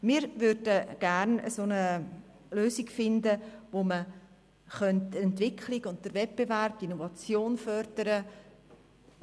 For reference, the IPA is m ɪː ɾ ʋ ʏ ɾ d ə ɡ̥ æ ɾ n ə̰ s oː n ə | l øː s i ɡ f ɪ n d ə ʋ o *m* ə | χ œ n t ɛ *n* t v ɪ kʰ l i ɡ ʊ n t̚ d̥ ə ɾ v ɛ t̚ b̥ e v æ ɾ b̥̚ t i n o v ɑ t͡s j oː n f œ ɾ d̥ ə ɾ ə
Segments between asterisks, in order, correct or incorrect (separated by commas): correct, correct